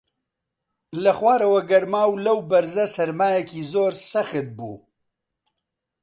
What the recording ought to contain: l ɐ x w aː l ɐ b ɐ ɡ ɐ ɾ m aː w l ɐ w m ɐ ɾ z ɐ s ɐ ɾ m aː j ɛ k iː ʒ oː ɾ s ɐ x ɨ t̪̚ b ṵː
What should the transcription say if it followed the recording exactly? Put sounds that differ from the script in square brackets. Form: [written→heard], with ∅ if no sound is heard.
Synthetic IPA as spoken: l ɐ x w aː [l→ɾ] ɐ [b→w] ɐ ɡ ɐ ɾ m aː w l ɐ w [m→b] ɐ ɾ z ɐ s ɐ ɾ m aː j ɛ k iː [ʒ→z] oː ɾ s ɐ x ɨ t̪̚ b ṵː